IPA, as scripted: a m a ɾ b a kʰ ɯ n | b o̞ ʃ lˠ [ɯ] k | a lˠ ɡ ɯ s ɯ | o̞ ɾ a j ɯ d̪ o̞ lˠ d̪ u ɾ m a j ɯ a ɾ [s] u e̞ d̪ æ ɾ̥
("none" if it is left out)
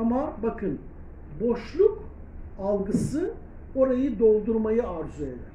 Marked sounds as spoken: u, z

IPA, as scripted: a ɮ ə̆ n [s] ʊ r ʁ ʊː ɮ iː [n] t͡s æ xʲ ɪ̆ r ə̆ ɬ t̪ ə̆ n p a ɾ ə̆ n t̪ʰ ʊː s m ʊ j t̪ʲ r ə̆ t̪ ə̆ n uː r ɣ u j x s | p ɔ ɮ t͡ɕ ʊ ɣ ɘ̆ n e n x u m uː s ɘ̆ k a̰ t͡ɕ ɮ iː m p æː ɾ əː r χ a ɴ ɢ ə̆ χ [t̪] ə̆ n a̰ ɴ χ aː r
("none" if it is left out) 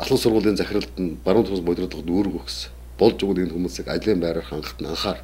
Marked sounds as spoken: s, n, t̪

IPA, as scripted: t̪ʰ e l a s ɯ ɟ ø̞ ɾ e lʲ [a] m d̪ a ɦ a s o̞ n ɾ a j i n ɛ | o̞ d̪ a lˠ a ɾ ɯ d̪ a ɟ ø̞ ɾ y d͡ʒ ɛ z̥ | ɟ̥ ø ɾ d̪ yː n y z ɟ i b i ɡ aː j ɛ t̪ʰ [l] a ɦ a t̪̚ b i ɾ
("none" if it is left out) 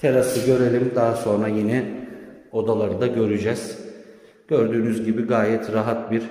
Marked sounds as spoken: i, ɾ

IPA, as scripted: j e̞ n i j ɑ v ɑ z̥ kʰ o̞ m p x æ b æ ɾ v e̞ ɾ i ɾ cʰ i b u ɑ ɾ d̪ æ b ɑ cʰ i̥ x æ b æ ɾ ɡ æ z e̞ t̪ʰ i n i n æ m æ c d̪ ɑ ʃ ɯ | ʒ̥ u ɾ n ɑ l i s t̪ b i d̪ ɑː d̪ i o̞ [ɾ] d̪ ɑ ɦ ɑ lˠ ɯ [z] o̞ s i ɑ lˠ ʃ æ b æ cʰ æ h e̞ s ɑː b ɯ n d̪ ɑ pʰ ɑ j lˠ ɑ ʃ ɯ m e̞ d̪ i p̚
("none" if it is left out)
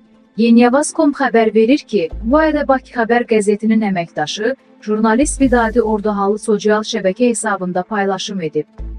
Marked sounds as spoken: ɾ, s

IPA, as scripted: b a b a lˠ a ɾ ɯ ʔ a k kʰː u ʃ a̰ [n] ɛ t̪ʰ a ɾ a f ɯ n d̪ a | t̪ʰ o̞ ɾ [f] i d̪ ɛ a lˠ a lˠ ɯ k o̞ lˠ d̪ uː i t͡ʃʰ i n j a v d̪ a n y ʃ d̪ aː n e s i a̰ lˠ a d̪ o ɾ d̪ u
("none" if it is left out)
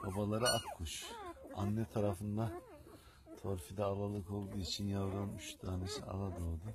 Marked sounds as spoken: nː, f

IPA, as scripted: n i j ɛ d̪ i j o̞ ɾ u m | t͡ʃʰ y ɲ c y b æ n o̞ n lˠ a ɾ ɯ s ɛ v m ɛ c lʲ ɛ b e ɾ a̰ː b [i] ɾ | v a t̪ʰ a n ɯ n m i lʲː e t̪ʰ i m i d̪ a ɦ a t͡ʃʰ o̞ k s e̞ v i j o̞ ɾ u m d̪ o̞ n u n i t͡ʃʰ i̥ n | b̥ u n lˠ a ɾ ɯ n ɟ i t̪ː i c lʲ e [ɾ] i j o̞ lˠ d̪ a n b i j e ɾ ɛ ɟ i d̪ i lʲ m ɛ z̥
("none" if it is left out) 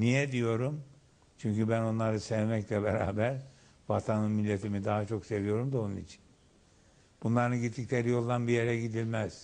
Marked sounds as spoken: æ, ɾ

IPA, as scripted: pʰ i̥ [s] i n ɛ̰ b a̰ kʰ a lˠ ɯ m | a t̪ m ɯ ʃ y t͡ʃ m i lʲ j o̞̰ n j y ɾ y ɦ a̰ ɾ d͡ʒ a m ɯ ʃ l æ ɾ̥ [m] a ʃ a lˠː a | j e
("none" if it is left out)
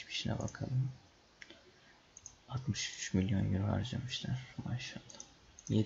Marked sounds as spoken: ʃ, m

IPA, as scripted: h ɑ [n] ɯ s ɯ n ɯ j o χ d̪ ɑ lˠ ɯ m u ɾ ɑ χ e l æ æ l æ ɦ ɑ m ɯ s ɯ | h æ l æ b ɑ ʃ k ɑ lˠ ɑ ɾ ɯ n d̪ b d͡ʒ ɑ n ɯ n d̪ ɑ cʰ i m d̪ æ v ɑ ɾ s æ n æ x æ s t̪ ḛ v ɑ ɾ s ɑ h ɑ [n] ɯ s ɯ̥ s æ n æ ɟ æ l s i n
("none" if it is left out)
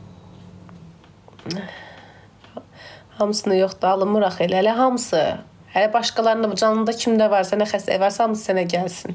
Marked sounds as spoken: m, m

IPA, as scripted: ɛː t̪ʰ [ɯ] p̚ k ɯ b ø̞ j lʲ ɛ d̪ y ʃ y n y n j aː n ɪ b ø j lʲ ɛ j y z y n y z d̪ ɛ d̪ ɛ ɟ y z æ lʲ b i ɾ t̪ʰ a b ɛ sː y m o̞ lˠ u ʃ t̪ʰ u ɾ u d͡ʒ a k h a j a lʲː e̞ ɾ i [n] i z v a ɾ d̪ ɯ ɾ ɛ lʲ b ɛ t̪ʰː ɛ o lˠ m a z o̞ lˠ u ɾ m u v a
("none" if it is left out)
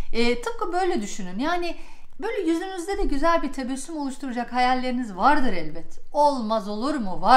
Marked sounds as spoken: ɯ, n

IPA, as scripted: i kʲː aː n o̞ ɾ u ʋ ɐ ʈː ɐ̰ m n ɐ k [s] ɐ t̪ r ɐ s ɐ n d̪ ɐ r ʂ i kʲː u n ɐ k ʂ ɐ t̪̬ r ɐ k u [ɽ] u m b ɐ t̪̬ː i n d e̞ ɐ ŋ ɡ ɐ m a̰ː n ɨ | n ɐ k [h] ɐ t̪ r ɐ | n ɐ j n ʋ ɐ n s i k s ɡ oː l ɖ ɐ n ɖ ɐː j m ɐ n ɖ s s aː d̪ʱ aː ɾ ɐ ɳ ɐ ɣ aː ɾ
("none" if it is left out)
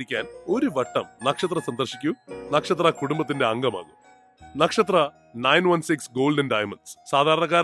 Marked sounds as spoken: ʂ, ɽ, ʂ

